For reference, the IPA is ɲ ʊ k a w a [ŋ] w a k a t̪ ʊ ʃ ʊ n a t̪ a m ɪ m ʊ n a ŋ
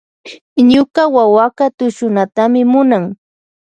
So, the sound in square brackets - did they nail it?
no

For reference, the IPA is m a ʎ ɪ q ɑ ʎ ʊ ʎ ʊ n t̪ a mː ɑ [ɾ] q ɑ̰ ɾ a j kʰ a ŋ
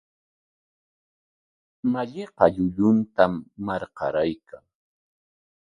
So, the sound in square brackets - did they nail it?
yes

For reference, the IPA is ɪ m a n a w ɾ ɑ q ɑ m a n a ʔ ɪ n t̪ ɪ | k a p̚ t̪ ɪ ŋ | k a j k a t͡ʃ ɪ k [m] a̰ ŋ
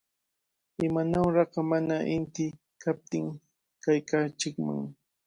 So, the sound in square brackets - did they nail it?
yes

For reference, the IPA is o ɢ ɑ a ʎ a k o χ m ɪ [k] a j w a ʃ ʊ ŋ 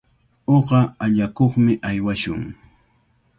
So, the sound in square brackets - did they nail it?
no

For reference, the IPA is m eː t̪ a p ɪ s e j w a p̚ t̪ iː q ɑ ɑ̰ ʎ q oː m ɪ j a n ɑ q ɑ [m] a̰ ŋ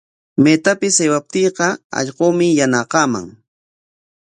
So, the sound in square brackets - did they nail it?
yes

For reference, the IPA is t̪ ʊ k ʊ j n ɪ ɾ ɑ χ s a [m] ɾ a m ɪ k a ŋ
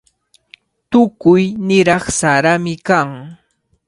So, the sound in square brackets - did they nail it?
no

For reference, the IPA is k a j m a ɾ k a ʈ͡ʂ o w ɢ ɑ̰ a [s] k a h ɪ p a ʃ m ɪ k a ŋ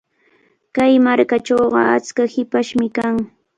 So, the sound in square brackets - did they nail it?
no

